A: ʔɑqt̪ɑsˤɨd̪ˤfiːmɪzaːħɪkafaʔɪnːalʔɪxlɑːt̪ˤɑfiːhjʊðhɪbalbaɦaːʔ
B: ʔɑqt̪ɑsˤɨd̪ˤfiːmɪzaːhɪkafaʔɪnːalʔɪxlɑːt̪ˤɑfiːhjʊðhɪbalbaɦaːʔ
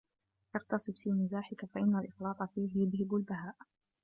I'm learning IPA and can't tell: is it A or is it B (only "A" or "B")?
A